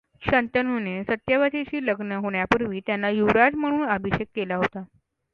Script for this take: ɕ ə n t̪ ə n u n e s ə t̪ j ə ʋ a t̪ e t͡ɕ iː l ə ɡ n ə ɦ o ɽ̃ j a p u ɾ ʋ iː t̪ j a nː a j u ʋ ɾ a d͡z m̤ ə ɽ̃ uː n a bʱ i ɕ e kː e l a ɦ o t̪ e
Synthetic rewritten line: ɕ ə n t̪ ə n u n e s ə t̪ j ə ʋ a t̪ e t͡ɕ iː l ə ɡ n ə ɦ o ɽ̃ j a p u ɾ ʋ iː t̪ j a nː a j u ʋ ɾ a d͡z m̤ ə ɽ̃ uː n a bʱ i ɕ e kː e l a ɦ o t̪ a